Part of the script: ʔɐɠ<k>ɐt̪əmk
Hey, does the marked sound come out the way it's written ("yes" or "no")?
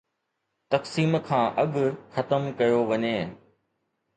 no